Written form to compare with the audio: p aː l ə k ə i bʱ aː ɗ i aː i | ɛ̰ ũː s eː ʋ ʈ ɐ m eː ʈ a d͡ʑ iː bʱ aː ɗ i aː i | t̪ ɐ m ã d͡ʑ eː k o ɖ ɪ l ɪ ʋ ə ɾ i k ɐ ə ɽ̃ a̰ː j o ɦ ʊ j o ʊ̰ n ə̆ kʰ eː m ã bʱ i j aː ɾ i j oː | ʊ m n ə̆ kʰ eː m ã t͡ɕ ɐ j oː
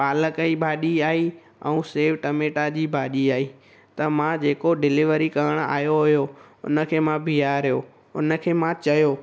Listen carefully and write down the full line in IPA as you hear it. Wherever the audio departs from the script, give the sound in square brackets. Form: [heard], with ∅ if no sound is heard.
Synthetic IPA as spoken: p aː l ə k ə i bʱ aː ɗ i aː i | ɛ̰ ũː s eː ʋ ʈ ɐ m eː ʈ a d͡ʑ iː bʱ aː ɗ i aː i | t̪ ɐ m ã d͡ʑ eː k o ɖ ɪ l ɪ ʋ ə ɾ i k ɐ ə ɽ̃ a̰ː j o ɦ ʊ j o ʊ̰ n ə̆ kʰ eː m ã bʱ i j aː ɾ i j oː | ʊ [∅] n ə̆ kʰ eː m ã t͡ɕ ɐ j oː